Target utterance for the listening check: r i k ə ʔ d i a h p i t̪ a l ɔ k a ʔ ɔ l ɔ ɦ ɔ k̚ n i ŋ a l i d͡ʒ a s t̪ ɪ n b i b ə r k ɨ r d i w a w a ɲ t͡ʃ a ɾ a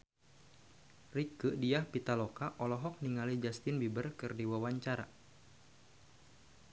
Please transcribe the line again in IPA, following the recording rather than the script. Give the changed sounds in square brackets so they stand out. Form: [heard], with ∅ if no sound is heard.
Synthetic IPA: r i k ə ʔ d i a h p i t̪ a l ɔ k a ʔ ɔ l ɔ ɦ ɔ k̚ n i ŋ a l i d͡ʒ a s t̪ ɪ n b i b ə r k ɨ r d i w a w a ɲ t͡ʃ a ɾ a